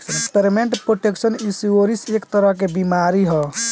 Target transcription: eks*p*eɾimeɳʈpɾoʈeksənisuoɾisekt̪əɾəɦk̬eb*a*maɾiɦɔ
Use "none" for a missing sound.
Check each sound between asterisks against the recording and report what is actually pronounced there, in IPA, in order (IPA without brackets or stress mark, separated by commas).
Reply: p, i